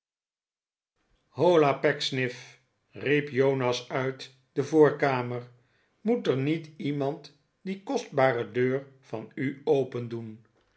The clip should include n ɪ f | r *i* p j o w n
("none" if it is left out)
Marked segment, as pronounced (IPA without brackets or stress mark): i